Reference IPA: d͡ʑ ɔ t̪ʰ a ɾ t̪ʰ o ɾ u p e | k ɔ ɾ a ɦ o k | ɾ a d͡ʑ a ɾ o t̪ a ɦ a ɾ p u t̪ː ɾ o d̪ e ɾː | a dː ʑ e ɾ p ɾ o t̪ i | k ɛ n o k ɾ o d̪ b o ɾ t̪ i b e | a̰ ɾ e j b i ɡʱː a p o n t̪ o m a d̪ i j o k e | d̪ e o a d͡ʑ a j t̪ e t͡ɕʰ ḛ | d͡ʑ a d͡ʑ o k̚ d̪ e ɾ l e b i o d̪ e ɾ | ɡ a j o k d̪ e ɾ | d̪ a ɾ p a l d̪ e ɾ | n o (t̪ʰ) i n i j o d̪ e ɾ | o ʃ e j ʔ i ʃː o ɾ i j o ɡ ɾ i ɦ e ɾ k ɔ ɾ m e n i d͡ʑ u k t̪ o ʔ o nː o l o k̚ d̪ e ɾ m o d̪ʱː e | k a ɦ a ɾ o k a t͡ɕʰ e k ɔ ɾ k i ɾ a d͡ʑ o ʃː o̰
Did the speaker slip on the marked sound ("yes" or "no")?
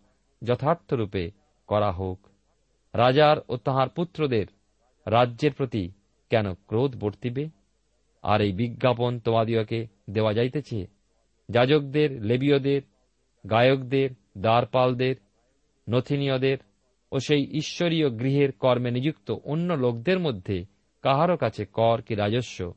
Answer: no